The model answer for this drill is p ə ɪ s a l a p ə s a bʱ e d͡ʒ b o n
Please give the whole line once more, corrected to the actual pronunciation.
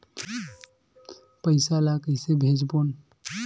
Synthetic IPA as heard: p ə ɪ s a l a k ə s e bʱ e d͡ʒ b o n